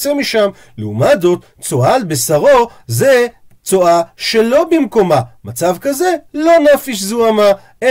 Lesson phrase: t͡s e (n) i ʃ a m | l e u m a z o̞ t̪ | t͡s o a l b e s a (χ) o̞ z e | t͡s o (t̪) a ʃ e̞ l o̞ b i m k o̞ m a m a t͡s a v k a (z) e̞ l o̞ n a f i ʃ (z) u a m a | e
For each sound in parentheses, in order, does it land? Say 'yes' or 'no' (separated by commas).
no, no, no, yes, yes